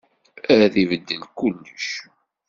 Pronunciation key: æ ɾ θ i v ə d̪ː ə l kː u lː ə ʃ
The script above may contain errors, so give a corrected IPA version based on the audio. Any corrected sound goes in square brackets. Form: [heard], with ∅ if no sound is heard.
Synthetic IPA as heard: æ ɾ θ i v ə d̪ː ə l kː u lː ə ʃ